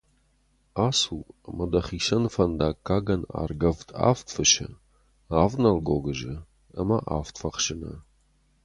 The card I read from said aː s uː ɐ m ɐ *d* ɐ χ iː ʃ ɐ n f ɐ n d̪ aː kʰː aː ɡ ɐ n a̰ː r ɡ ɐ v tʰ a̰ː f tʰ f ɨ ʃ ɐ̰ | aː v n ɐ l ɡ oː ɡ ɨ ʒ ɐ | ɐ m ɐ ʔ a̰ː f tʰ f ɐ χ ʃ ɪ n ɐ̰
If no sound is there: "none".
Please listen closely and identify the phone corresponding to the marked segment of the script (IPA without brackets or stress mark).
d